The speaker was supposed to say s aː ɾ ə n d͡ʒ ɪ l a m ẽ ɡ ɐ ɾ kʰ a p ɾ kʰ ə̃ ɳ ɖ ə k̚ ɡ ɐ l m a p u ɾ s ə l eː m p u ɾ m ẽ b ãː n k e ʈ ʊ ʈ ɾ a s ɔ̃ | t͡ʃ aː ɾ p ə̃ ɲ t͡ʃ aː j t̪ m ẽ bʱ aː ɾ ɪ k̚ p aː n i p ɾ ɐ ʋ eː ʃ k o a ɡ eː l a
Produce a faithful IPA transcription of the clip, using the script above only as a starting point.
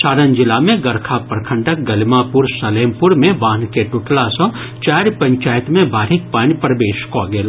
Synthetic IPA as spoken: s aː ɾ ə n d͡ʒ ɪ l a m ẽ ɡ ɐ ɾ kʰ a p ɾ kʰ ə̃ ɳ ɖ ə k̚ ɡ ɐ l m a p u ɾ s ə l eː m p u ɾ m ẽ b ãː n k e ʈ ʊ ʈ l a s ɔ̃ | t͡ʃ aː ɾ p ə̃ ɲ t͡ʃ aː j t̪ m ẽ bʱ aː ɾ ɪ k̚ p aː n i p ɾ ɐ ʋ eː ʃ k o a ɡ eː l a